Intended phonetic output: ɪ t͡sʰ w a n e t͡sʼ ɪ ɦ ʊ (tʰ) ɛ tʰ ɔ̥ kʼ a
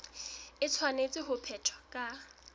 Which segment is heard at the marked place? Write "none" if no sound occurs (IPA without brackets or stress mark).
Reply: pʰ